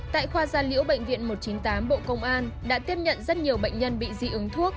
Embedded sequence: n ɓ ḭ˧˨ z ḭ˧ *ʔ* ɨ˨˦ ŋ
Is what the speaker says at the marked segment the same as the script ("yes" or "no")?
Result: yes